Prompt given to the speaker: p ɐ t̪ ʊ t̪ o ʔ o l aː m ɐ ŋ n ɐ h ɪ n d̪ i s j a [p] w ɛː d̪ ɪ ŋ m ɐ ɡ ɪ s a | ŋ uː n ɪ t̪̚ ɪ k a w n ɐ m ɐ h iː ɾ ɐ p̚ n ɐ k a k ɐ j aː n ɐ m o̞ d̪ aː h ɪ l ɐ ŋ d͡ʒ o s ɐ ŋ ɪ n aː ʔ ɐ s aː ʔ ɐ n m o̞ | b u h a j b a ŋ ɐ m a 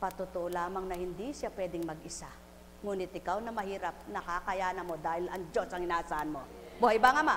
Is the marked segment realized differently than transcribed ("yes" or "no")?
no